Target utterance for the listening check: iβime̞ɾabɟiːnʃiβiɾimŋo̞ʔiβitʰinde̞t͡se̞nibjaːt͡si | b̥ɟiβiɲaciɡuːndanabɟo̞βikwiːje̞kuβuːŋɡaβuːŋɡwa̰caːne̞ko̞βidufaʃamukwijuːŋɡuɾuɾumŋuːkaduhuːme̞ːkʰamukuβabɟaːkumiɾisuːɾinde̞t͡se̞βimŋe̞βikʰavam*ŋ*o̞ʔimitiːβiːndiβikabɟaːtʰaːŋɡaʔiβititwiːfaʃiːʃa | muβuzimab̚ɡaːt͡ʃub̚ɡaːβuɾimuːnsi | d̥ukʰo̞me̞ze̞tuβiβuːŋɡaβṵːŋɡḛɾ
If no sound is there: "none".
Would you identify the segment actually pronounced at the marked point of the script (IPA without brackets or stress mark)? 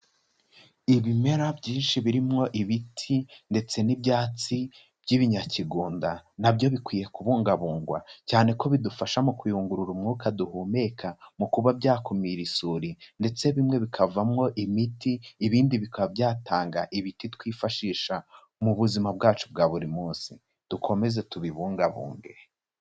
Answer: ŋ